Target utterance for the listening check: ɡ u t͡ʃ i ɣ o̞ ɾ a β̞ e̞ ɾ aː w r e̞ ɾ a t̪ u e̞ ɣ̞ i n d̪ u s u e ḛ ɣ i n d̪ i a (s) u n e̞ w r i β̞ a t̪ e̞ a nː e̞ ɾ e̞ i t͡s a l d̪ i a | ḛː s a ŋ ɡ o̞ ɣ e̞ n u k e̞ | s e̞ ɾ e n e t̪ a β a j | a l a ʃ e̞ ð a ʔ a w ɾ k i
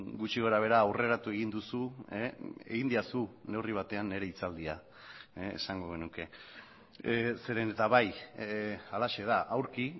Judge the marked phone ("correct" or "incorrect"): correct